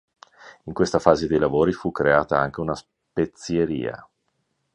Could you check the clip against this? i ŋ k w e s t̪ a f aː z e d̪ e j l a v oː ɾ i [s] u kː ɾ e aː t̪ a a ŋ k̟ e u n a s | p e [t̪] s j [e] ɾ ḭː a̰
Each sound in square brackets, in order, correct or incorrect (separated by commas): incorrect, correct, correct